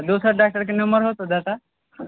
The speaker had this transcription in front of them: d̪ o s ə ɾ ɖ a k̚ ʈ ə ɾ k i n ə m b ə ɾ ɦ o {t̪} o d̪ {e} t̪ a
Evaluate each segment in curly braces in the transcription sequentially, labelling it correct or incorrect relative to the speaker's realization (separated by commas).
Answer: correct, incorrect